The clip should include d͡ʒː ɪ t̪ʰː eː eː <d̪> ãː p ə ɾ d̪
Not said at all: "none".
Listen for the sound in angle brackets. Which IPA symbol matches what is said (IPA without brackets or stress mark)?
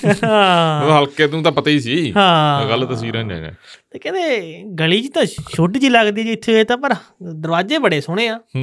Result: t̪